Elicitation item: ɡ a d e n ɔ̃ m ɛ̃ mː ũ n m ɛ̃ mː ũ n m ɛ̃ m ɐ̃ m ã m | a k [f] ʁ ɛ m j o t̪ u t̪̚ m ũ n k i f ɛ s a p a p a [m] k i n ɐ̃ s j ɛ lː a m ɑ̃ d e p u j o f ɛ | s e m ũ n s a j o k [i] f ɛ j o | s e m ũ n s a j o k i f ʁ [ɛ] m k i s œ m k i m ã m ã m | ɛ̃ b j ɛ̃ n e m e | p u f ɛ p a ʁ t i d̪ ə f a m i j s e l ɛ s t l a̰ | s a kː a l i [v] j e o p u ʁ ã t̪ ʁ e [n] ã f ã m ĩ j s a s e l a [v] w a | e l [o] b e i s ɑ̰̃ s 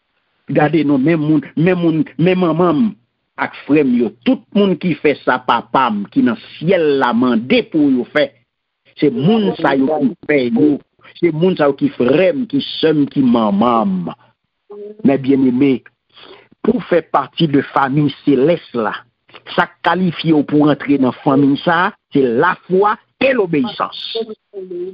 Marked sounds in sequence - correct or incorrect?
correct, correct, correct, correct, incorrect, correct, incorrect, correct

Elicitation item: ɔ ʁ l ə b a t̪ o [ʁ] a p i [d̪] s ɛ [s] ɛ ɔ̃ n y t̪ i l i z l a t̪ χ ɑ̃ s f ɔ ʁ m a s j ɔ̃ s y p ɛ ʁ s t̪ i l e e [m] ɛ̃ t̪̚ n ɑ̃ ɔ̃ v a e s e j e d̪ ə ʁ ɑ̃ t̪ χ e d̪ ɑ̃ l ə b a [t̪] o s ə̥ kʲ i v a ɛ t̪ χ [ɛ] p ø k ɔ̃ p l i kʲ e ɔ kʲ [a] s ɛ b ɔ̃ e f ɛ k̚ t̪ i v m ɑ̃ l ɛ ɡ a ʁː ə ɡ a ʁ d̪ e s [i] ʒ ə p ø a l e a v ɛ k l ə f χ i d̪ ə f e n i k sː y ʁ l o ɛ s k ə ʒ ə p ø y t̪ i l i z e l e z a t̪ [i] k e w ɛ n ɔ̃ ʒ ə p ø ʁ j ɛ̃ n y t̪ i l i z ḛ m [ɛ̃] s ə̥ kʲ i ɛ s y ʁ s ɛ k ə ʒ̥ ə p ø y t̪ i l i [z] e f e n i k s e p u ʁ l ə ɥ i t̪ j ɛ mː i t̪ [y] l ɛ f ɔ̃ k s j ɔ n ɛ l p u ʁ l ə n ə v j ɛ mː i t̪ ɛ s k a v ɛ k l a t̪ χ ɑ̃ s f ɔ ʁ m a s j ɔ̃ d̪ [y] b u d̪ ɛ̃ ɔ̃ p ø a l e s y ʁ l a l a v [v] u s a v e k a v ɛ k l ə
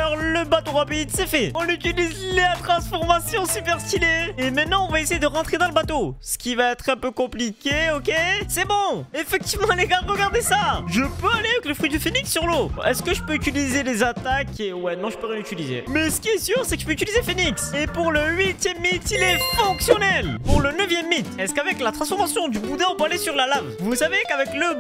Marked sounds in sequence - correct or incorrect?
correct, correct, incorrect, correct, correct, incorrect, incorrect, incorrect, incorrect, incorrect, correct, incorrect, correct, correct

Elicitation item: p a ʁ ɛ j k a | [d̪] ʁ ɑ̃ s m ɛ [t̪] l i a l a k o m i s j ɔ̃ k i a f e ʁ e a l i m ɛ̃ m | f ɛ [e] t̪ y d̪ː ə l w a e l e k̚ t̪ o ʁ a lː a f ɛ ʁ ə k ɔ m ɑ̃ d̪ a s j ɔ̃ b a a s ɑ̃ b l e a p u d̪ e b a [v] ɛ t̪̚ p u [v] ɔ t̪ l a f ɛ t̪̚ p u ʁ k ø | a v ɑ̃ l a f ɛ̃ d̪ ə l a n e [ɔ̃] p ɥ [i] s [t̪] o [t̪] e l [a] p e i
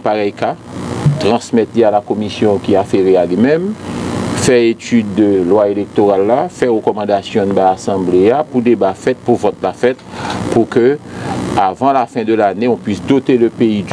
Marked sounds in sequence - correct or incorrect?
incorrect, correct, correct, incorrect, correct, correct, correct, incorrect, correct, incorrect

